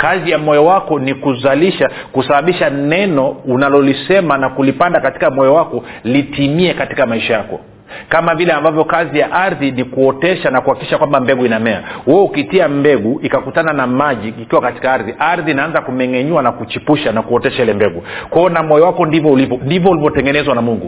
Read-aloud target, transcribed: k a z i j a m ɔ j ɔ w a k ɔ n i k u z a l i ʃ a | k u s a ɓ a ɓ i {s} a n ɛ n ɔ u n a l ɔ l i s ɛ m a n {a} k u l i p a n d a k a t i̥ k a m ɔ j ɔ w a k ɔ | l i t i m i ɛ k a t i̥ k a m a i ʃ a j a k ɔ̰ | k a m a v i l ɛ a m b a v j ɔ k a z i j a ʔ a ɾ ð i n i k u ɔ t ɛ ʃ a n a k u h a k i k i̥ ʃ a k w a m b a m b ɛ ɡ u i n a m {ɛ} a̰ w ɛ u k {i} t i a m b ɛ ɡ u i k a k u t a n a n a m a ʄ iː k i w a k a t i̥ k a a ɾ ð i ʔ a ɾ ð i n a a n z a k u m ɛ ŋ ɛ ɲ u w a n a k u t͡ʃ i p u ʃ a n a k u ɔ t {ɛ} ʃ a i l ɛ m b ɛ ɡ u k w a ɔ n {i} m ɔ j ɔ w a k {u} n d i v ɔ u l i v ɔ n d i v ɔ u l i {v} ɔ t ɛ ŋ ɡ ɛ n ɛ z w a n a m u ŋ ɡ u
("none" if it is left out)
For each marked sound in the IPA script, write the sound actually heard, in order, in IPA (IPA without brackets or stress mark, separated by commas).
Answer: ʃ, a, ɛ, i, ɛ, a, ɔ, v